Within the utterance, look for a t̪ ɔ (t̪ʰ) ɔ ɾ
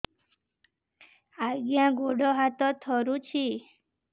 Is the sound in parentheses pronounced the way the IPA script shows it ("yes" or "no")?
yes